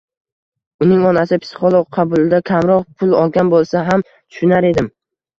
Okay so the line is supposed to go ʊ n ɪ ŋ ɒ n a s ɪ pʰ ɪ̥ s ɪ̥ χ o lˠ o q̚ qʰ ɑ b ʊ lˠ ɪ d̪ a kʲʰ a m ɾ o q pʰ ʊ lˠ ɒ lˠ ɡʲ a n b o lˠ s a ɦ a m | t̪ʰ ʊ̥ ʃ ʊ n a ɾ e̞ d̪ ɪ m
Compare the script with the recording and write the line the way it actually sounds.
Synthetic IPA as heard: ʊ n ɪ ŋ ɒ n a s ɪ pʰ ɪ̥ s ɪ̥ χ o lˠ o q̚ qʰ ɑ b ʊ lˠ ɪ d̪ a kʲʰ a m ɾ ɒ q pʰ ʊ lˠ ɒ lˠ ɡʲ a n b o lˠ s a ɦ a m | t̪ʰ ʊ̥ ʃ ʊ n a ɾ e̞ d̪ ɪ m